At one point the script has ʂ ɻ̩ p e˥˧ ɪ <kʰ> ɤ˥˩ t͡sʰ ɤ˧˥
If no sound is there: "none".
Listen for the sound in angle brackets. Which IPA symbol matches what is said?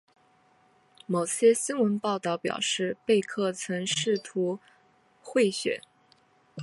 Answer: kʰ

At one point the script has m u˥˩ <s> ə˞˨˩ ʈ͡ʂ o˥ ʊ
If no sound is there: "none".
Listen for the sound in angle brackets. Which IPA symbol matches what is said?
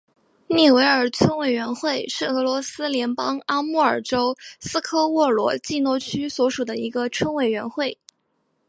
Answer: none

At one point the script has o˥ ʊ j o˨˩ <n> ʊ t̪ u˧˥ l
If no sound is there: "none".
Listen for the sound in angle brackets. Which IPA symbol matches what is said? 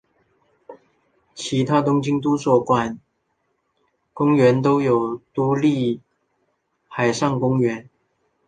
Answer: none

